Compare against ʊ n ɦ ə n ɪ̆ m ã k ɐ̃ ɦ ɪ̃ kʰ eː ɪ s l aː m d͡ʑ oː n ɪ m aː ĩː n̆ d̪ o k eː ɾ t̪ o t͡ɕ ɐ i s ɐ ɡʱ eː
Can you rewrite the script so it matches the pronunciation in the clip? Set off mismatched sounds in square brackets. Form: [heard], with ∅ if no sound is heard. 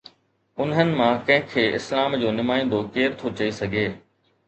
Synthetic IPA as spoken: ʊ n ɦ ə n ɪ̆ m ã k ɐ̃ ɦ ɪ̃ kʰ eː ɪ s l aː m d͡ʑ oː n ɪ m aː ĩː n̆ d̪ o k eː ɾ [t̪ʰ] o t͡ɕ ɐ i s ɐ ɡʱ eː